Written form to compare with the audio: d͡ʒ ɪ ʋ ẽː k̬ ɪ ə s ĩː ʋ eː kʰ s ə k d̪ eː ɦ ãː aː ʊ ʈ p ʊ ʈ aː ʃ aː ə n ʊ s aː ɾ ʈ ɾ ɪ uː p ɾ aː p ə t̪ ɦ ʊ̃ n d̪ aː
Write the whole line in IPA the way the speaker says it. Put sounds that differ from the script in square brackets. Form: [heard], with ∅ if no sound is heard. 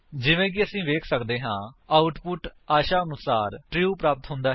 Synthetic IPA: d͡ʒ ɪ ʋ ẽː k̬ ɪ ə s ĩː ʋ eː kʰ s ə k d̪ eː ɦ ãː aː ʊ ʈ p ʊ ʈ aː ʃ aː ə n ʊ s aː ɾ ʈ ɾ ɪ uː p ɾ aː p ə t̪ ɦ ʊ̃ n d̪ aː

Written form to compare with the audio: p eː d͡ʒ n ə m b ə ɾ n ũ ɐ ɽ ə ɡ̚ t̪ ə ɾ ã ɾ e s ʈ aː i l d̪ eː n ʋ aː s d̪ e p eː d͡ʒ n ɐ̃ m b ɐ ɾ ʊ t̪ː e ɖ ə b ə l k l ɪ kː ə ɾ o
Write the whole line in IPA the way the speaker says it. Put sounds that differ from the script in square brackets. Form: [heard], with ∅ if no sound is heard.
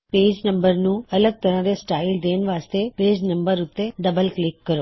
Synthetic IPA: p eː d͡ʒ n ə m b ə ɾ n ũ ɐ [l] ə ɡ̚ t̪ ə ɾ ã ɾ e s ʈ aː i l d̪ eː n ʋ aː s [t̪] e p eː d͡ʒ n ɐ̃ m b [ə] ɾ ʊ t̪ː e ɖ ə b ə l k l ɪ kː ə ɾ o

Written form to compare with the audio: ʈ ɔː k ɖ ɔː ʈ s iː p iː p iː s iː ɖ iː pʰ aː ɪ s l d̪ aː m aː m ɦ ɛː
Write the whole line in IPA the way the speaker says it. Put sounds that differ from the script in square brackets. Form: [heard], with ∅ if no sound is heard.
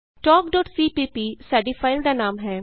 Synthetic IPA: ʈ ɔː k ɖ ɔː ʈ s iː p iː p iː s [aː] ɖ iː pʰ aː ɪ [∅] l d̪ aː [n] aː m ɦ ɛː

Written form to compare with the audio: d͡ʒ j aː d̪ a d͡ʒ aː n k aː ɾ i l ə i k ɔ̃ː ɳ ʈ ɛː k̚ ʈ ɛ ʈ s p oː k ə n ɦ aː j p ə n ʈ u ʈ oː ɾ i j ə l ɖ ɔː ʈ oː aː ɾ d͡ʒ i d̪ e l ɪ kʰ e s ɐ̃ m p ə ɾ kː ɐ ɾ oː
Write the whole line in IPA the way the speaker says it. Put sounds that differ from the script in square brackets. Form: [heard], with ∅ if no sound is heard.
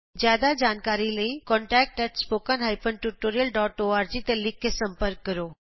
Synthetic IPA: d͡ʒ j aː d̪ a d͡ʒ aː n k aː ɾ i l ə i k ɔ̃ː ɳ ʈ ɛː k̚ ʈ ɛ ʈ s p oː k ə n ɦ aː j p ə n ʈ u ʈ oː ɾ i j ə l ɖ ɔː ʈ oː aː ɾ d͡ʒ i [t̪] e l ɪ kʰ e s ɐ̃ m p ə ɾ kː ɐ ɾ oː

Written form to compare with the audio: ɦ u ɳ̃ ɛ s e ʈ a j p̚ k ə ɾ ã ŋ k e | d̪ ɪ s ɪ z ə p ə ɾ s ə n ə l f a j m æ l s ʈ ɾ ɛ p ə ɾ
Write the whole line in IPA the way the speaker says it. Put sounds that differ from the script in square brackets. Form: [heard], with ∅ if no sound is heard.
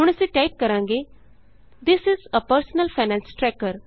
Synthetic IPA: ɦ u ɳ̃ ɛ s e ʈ a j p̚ k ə ɾ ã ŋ [ɡ] e | d̪ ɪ s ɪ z ə p ə ɾ s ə n ə l f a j [n] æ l s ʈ ɾ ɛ [k] ə ɾ

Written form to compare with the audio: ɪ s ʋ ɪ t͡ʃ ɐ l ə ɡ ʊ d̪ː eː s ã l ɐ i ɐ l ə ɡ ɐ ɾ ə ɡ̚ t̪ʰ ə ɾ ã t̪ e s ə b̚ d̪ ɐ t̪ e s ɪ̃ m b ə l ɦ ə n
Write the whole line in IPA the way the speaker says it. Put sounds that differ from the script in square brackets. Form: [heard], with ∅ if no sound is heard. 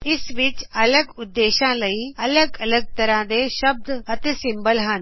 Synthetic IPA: ɪ s ʋ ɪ t͡ʃ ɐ l ə ɡ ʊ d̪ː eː [ʃ] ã l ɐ i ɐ l ə ɡ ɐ [l] ə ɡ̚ [t̪] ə ɾ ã [d̪] e [ʃ] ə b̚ d̪ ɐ t̪ e s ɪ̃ m b ə l ɦ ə n

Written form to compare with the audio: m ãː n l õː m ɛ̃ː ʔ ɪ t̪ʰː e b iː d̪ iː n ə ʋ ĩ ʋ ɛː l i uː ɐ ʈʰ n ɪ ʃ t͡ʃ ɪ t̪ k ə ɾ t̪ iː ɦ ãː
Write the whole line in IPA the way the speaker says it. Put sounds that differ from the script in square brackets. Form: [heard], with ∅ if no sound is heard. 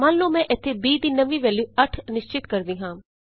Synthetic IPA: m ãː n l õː m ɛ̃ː ʔ ɪ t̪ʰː e b iː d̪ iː n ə ʋ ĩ ʋ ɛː l [j] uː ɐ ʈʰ n ɪ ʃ t͡ʃ ɪ t̪ k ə ɾ [d̪] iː ɦ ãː

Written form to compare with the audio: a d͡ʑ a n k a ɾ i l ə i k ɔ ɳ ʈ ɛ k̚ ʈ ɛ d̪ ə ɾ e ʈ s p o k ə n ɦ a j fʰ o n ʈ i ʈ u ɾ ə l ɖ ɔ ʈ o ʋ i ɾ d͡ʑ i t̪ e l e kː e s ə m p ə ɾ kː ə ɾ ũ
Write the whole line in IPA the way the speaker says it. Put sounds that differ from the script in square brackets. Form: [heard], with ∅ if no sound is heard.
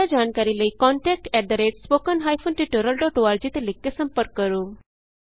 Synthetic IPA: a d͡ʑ a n k a ɾ i l ə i k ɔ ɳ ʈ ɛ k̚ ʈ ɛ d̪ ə ɾ e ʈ s p o k ə n ɦ a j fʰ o n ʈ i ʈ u ɾ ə l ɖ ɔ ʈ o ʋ [a] ɾ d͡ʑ i t̪ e l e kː e s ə m p ə ɾ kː ə ɾ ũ

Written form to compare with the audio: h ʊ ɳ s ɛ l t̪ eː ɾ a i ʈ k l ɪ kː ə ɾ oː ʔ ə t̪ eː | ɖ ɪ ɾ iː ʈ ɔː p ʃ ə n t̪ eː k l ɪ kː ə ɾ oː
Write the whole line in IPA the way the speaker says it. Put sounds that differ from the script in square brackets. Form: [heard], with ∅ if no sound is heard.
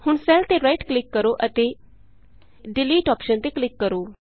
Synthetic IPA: h ʊ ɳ s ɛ l t̪ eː ɾ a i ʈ k l ɪ kː ə ɾ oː ʔ ə t̪ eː | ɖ ɪ [l] iː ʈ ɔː p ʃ ə n t̪ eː k l ɪ kː ə ɾ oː

